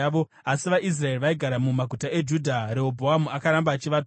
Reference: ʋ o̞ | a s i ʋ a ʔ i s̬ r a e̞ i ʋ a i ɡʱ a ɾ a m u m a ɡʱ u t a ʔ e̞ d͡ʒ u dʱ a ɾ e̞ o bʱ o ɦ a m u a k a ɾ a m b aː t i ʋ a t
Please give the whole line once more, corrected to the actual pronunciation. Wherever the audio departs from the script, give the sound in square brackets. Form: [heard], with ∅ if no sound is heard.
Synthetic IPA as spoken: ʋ o̞ | a s i ʋ a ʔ i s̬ r a e̞ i ʋ a i ɡʱ a ɾ a m u m a ɡʱ u t a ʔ e̞ d͡ʒ u dʱ a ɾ e̞ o bʱ o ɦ a m u a k a ɾ a m b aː [t͡ʃ] i ʋ a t